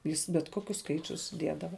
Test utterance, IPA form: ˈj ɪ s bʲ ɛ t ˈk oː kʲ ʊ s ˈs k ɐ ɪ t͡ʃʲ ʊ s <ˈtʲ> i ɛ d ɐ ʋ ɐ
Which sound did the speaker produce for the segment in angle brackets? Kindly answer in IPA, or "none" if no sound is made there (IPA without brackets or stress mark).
dʲ